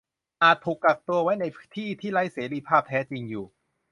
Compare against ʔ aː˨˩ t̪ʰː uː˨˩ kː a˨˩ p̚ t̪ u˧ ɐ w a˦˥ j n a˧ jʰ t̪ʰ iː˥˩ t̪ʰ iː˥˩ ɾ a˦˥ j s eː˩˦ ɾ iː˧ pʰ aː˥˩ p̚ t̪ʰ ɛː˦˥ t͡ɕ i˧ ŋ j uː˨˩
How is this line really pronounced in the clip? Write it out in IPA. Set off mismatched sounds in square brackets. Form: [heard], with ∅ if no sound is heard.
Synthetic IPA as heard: ʔ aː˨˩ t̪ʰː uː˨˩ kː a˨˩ [k̚] t̪ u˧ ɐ w a˦˥ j n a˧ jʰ t̪ʰ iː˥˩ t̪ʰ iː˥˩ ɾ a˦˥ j s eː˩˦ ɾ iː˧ pʰ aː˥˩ p̚ t̪ʰ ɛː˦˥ t͡ɕ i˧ ŋ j uː˨˩

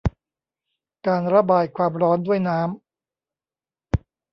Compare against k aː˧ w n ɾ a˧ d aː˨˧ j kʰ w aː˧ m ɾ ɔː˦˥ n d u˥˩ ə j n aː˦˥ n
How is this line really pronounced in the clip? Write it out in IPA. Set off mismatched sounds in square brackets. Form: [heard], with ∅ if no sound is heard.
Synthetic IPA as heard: k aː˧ [∅] n ɾ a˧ [b] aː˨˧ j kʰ w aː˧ m ɾ ɔː˦˥ n d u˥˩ ə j n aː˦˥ [m]

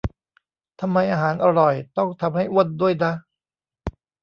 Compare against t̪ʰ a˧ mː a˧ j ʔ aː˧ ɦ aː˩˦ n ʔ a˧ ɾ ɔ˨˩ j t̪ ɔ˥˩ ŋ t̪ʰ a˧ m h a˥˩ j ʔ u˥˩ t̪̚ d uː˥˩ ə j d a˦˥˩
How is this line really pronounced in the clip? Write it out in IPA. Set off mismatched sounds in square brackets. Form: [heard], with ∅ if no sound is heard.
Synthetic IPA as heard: t̪ʰ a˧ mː a˧ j ʔ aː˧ ɦ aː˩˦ n ʔ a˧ ɾ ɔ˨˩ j t̪ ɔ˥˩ ŋ t̪ʰ a˧ m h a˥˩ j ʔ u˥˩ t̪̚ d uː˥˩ ə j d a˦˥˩

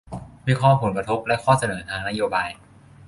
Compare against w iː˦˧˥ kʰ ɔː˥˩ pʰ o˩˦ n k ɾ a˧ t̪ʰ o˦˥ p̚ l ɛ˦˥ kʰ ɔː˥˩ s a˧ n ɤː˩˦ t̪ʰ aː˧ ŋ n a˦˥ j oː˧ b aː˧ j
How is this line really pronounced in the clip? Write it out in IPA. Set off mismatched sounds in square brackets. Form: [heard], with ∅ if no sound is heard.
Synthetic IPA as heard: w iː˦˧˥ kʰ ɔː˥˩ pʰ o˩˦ n k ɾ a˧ t̪ʰ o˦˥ p̚ l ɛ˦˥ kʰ ɔː˥˩ s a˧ n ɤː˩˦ t̪ʰ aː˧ ŋ n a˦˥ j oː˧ b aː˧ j

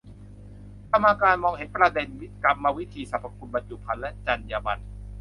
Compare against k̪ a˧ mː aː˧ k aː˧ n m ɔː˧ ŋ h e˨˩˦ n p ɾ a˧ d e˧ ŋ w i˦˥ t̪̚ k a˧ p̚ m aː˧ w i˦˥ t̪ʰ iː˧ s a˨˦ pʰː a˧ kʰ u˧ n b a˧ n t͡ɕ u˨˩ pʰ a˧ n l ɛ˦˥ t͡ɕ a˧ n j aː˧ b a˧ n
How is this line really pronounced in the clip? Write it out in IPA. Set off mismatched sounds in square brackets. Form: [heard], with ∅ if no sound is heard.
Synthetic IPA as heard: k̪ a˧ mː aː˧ k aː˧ n m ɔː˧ ŋ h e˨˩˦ n p ɾ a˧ d e˧ [n] w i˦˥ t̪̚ k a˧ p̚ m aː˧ w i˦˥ t̪ʰ iː˧ s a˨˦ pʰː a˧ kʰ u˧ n b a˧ n t͡ɕ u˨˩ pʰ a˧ n l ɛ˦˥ t͡ɕ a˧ n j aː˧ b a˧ n

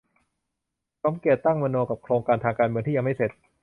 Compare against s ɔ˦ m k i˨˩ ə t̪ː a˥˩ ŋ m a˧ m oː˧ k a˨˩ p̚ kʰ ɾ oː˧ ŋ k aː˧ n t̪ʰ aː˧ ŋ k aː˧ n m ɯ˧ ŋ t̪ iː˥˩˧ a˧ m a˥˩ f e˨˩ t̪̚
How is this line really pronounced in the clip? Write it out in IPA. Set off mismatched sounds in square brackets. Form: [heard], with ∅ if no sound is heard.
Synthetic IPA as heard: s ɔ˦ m k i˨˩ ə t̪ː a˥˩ ŋ m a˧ [n] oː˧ k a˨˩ p̚ kʰ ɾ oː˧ ŋ k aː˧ n t̪ʰ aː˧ ŋ k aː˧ n m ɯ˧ ŋ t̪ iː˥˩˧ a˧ m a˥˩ [s] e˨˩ t̪̚

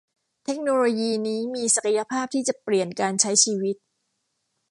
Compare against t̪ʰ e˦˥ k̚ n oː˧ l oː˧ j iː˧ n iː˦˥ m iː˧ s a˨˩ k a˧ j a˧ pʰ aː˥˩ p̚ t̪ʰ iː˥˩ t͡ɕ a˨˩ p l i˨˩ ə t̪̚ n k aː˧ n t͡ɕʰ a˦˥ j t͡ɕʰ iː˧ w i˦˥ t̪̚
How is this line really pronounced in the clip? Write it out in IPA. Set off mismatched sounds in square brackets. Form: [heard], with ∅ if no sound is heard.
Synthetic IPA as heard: t̪ʰ e˦˥ k̚ n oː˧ l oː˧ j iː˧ n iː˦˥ m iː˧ s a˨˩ k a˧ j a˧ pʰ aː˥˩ p̚ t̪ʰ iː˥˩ t͡ɕ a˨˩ p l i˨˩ ə [∅] n k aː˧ n t͡ɕʰ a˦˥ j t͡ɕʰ iː˧ w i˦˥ t̪̚

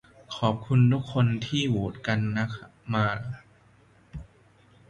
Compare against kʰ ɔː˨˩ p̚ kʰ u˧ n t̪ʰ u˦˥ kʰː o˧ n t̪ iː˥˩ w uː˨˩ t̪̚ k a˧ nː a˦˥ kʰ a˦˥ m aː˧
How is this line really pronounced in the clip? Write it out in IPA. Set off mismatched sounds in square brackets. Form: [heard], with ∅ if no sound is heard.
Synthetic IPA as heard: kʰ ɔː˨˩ p̚ kʰ u˧ n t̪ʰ u˦˥ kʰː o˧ n [t̪ʰ] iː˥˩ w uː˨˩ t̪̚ k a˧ nː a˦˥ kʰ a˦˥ m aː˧

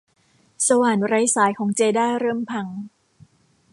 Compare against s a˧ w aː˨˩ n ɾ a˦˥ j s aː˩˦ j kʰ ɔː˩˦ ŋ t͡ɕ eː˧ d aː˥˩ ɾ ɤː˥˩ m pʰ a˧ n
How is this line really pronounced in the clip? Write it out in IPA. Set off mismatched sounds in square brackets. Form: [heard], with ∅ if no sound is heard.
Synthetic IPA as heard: s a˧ w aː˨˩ n ɾ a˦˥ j s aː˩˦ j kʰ ɔː˩˦ ŋ t͡ɕ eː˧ d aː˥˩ ɾ ɤː˥˩ m pʰ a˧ [ŋ]

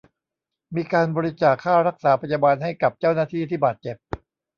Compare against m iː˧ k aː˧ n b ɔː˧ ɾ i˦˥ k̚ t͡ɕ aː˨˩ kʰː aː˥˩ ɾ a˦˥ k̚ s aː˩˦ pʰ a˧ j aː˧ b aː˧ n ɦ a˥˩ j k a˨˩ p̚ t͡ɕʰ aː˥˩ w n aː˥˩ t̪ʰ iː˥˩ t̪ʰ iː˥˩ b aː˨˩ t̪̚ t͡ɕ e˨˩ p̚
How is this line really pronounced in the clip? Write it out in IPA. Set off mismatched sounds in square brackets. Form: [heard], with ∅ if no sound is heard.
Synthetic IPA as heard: m iː˧ k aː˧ n b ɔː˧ ɾ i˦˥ [∅] t͡ɕ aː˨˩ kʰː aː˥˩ ɾ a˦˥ k̚ s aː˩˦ pʰ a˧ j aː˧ b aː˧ n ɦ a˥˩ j k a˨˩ p̚ [t͡ɕ] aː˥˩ w n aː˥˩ t̪ʰ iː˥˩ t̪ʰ iː˥˩ b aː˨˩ t̪̚ t͡ɕ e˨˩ p̚

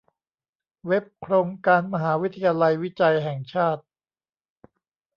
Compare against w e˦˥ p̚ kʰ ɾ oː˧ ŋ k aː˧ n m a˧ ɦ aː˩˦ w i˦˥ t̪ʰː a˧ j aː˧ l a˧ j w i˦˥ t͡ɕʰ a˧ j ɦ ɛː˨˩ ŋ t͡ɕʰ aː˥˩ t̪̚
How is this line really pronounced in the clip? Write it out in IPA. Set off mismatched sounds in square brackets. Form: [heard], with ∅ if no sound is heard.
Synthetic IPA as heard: w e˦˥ p̚ kʰ ɾ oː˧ ŋ k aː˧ n m a˧ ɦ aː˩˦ w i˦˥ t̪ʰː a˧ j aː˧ l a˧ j w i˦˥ [t͡ɕ] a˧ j ɦ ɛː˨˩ ŋ t͡ɕʰ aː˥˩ t̪̚

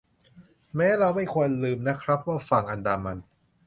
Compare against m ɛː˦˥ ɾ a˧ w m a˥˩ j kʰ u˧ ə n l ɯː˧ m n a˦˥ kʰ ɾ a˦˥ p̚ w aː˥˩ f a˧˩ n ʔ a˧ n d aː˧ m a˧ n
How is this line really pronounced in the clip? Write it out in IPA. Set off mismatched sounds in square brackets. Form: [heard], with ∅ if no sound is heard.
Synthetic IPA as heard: m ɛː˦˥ ɾ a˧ w m a˥˩ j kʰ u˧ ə n l ɯː˧ m n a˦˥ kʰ ɾ a˦˥ p̚ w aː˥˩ f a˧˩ [ŋ] ʔ a˧ n d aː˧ m a˧ n

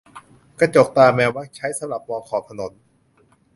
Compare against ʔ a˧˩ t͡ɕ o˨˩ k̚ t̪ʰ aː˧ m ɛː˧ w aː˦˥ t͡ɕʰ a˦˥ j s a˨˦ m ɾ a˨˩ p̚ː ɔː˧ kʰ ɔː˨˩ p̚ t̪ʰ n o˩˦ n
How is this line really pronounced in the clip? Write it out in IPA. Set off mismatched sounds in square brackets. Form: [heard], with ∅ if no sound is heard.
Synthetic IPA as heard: [k] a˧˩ t͡ɕ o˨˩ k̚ [t̪] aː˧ m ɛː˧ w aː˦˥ t͡ɕʰ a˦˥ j s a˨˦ m ɾ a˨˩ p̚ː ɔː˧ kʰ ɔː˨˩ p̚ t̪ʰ n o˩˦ n

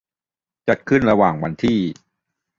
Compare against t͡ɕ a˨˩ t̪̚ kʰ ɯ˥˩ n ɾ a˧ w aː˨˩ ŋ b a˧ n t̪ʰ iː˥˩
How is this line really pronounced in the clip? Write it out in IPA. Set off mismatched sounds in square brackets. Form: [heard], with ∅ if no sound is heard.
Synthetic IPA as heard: t͡ɕ a˨˩ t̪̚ kʰ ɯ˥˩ n ɾ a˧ w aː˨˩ ŋ [w] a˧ n t̪ʰ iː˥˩

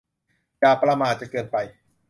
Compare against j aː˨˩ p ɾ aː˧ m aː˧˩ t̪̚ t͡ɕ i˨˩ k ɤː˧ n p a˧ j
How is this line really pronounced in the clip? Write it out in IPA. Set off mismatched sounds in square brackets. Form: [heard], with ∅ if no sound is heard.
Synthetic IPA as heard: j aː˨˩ p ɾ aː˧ m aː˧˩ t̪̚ t͡ɕ [a˨˩] k ɤː˧ n p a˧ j

